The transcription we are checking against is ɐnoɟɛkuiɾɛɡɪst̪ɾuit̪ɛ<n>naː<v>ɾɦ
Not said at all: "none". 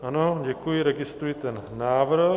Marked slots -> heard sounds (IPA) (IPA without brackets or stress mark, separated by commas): n, ʋ